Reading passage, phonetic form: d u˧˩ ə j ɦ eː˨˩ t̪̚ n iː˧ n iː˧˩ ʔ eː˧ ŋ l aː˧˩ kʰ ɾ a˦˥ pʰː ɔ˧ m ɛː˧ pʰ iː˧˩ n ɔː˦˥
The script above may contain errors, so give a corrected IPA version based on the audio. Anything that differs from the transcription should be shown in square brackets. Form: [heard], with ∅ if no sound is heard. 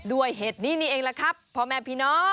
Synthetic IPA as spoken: d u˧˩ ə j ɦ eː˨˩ t̪̚ n [iː˦˥˩] n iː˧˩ ʔ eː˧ ŋ l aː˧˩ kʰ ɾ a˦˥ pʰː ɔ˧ m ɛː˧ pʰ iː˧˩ n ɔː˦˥